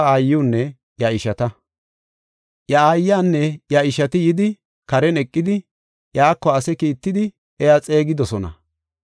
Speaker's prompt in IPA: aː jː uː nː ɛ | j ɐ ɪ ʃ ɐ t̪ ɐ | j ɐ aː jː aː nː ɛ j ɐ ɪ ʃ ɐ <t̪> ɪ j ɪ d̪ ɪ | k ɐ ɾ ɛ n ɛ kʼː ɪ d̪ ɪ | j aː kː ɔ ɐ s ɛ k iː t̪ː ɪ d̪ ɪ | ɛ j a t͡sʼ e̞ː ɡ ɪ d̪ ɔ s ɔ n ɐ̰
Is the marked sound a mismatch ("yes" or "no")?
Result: no